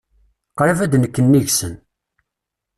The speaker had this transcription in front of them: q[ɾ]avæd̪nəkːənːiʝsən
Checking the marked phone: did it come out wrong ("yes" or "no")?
no